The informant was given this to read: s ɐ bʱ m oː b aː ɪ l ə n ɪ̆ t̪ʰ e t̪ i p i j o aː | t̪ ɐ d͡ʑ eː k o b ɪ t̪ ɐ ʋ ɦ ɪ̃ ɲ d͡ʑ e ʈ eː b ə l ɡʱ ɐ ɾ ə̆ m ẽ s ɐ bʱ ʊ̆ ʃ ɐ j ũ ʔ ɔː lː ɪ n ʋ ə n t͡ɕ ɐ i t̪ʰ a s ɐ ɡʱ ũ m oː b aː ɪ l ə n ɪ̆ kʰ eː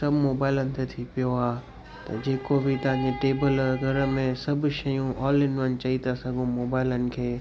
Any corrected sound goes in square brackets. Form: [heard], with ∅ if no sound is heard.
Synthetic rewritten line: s ɐ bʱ m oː b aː ɪ l ə n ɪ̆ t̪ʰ e [t̪ʰ] i p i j o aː | t̪ ɐ d͡ʑ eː k o b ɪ t̪ ɐ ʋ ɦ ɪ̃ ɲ d͡ʑ e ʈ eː b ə l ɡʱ ɐ ɾ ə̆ m ẽ s ɐ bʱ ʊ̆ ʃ ɐ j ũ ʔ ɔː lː ɪ n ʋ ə n t͡ɕ ɐ i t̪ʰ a s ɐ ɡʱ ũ m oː b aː ɪ l ə n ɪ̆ kʰ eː